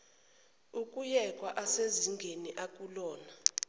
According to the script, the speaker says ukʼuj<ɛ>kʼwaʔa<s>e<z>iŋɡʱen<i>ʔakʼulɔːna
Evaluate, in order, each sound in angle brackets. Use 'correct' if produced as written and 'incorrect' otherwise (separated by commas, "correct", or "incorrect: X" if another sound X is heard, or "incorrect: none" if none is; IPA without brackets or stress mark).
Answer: correct, correct, correct, correct